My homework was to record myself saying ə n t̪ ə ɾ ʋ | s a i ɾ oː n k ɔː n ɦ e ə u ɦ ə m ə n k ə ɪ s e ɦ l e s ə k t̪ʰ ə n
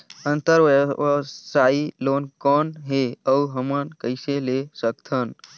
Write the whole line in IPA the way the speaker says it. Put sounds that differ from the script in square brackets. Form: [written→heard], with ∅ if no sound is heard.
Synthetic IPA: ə n t̪ ə ɾ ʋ | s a i [ɾ→l] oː n k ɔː n ɦ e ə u ɦ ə m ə n k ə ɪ s e [ɦ→∅] l e s ə k t̪ʰ ə n